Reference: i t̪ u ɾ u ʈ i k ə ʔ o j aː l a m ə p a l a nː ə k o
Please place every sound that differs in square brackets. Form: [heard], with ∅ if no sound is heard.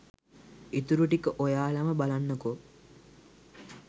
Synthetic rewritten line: i t̪ u ɾ u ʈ i k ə ʔ o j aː l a m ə [b] a l a nː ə k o